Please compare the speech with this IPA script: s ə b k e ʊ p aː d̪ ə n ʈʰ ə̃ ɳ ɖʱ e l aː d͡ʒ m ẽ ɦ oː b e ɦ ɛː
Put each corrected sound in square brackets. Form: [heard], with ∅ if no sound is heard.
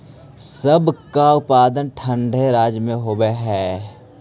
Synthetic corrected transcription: s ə b k [a] ʊ p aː d̪ ə n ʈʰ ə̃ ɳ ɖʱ e [ɾ] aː d͡ʒ m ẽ ɦ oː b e ɦ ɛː